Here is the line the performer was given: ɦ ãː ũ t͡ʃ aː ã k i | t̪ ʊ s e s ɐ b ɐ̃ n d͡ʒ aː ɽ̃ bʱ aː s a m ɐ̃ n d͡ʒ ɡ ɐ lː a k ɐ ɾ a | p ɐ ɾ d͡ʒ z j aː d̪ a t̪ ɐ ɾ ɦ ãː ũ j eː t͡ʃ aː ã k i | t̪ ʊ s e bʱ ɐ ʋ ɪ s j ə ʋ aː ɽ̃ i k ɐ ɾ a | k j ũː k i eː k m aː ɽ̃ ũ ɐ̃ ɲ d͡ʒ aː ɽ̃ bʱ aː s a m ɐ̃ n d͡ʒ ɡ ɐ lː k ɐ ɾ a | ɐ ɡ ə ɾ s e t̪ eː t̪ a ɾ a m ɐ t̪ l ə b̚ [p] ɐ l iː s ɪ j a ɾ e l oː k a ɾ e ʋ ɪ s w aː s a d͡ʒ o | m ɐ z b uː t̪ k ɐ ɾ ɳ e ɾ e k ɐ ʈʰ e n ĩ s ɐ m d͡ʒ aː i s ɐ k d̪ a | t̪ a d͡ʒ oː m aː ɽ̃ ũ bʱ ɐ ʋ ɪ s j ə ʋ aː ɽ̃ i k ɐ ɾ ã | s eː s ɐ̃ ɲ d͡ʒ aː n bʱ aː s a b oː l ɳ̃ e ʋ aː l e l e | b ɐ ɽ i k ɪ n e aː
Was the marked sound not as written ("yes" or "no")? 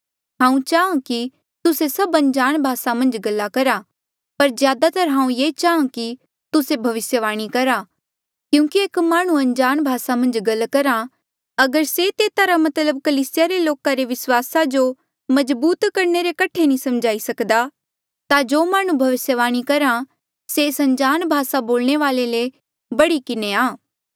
yes